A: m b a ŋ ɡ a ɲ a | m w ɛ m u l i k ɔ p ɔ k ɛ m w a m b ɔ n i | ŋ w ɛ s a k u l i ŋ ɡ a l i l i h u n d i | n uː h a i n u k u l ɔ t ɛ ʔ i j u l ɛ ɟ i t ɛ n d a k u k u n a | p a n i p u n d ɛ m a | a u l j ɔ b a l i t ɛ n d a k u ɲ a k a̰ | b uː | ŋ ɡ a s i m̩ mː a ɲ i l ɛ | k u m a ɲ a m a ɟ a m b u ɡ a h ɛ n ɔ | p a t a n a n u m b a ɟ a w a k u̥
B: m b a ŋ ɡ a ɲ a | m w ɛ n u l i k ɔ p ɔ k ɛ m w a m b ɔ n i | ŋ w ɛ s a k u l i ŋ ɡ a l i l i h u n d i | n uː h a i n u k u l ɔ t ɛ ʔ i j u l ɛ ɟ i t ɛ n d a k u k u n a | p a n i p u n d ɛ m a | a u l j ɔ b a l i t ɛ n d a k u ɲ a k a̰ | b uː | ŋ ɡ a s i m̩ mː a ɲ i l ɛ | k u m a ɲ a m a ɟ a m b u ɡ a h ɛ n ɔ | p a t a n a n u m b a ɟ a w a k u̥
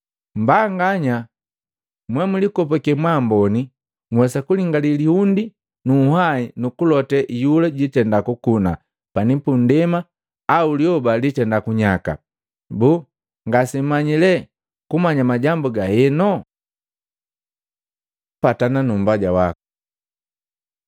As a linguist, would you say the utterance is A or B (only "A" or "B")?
A